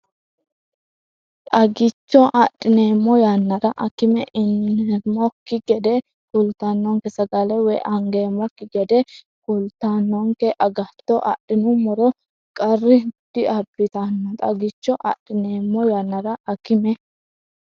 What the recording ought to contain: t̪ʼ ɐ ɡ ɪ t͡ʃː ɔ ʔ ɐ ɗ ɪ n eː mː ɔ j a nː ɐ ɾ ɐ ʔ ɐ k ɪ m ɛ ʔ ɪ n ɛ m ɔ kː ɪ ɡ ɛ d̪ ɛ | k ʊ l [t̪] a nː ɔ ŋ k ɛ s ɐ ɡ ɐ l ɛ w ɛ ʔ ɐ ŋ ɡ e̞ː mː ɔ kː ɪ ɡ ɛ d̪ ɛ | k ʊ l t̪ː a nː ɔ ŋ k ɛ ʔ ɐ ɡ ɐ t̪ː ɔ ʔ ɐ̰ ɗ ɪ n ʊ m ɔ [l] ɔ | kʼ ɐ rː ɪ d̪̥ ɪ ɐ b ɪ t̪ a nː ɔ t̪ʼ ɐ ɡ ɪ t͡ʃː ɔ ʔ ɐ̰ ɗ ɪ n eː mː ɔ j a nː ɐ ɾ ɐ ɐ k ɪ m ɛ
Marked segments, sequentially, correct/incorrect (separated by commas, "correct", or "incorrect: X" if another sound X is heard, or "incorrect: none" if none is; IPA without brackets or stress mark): correct, incorrect: ɾ